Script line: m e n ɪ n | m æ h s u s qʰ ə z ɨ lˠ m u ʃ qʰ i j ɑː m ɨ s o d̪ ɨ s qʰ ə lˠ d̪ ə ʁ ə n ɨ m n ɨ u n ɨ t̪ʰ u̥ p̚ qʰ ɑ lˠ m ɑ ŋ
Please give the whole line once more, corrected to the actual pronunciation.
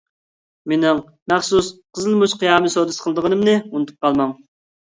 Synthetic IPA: m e n ɪ ŋ | m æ χ s u s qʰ ə z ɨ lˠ m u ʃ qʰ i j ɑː m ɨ s o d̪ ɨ s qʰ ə lˠ d̪ ə ʁ ə n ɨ m n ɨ u n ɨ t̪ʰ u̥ p̚ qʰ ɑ lˠ m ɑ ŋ

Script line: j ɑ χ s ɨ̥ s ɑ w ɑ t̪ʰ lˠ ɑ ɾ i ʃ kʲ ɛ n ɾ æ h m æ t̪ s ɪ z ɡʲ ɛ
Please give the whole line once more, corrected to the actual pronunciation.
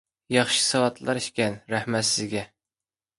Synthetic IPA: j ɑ χ ʃ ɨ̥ s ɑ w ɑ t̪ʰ lˠ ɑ ɾ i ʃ kʲ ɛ n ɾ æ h m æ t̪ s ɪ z ɡʲ ɛ

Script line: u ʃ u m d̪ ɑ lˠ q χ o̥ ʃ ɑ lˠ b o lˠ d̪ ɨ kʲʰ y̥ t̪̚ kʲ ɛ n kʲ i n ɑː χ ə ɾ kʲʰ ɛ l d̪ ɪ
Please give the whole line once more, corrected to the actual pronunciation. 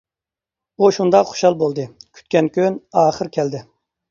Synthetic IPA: u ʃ u n d̪ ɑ q χ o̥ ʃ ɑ lˠ b o lˠ d̪ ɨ kʲʰ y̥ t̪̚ kʲ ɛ n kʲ y n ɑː χ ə ɾ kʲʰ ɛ l d̪ ɪ

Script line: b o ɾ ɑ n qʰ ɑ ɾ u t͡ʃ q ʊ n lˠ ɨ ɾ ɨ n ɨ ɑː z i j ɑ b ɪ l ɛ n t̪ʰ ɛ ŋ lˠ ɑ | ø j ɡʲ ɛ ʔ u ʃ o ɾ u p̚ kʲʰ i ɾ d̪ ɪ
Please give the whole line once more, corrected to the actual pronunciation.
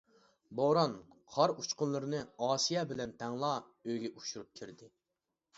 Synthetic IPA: b o ɾ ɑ n qʰ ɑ ɾ u t͡ʃ q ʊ n lˠ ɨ ɾ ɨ n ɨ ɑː s i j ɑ b ɪ l ɛ n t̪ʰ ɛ ŋ lˠ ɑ | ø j ɡʲ ɛ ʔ u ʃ u ɾ u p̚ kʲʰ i ɾ d̪ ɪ

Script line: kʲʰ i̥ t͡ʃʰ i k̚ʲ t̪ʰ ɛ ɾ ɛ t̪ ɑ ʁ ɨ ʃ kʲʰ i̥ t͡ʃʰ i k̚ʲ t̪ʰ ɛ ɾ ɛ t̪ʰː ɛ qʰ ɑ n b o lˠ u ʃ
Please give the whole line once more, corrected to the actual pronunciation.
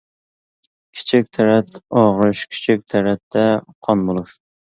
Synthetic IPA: kʲʰ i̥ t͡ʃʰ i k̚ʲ t̪ʰ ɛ ɾ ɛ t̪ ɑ ʁ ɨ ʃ kʲʰ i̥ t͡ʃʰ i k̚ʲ t̪ʰ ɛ ɾ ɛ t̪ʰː ɛ qʰ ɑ n b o lˠ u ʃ

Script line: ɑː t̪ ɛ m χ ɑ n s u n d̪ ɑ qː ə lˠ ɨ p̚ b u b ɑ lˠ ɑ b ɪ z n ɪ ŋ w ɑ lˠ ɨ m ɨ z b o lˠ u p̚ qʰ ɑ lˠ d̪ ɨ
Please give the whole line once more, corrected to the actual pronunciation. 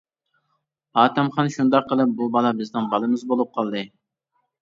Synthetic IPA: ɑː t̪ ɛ m χ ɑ n ʃ u n d̪ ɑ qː ə lˠ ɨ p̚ b u b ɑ lˠ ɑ b ɪ z n ɪ ŋ b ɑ lˠ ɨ m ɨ z b o lˠ u p̚ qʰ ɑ lˠ d̪ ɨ

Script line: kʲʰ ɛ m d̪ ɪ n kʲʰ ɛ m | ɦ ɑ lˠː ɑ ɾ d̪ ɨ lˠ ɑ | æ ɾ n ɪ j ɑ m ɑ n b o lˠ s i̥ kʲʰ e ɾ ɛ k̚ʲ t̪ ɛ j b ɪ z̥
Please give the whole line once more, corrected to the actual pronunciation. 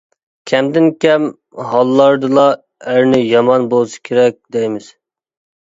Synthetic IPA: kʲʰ ɛ m d̪ ɪ n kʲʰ ɛ m | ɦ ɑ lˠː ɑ ɾ d̪ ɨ lˠ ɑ | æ ɾ n ɪ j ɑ m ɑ n b o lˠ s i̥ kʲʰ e ɾ ɛ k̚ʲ d̪ ɛ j m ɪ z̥

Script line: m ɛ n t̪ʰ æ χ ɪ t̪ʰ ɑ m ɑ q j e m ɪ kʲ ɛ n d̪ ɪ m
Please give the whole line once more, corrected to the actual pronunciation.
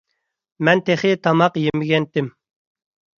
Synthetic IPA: m ɛ n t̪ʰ e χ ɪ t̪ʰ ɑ m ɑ q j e m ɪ ɡʲ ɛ n t̪ ɪ m

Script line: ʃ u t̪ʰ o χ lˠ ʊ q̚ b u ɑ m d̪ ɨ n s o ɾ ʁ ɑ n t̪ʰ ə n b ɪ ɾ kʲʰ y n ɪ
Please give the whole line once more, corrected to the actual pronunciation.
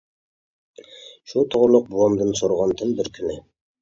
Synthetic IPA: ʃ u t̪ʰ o ʁ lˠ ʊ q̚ b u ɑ m d̪ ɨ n s o ɾ ʁ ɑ n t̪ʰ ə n b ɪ ɾ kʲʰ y n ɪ

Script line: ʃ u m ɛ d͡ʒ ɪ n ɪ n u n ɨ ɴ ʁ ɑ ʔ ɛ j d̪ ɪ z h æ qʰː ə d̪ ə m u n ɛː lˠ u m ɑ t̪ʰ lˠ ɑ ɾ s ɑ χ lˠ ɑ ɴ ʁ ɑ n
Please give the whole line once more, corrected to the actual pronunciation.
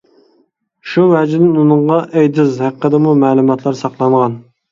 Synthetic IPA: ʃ u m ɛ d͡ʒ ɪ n ɪ n u n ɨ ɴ ʁ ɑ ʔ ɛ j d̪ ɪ z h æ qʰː ə d̪ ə m u m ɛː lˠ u m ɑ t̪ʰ lˠ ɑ ɾ s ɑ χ lˠ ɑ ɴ ʁ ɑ n

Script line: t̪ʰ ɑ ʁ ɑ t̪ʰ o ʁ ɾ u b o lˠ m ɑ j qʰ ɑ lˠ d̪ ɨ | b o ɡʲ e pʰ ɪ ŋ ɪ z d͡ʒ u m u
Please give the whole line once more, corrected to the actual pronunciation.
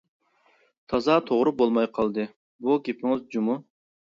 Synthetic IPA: t̪ʰ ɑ z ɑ t̪ʰ o ʁ ɾ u b o lˠ m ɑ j qʰ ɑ lˠ d̪ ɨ | b u ɡʲ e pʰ ɪ ŋ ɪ z d͡ʒ u m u

